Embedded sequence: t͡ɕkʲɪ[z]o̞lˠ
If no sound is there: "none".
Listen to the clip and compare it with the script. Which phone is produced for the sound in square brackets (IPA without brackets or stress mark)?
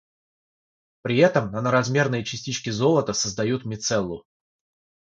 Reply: z